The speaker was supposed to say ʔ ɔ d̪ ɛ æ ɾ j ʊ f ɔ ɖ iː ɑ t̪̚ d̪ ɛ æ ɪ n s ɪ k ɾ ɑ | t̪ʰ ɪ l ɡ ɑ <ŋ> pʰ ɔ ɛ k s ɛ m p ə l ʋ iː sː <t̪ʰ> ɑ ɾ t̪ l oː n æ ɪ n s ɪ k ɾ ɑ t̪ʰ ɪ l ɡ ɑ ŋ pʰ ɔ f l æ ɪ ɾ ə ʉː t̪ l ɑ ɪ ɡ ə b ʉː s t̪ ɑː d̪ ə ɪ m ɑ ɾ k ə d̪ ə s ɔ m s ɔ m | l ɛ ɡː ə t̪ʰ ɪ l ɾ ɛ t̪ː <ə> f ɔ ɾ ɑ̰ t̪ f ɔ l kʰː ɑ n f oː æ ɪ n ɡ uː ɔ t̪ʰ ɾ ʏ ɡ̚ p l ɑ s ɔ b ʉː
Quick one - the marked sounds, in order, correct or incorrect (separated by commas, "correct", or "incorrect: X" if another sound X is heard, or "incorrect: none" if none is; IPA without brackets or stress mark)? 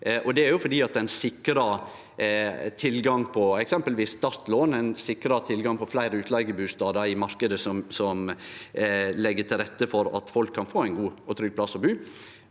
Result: correct, incorrect: t̪, correct